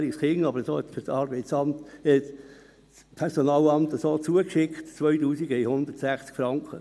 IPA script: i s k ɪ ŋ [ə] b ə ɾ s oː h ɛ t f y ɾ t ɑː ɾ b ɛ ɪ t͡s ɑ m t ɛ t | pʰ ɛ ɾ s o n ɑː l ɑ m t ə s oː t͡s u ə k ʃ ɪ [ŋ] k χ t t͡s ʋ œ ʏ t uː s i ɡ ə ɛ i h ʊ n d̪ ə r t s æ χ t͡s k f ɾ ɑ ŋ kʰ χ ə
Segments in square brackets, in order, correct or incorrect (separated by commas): incorrect, incorrect